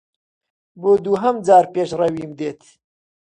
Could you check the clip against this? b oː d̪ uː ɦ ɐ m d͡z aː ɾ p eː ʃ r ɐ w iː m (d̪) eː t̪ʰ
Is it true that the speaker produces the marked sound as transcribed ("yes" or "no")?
yes